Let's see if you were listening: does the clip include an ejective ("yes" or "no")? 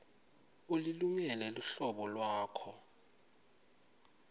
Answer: no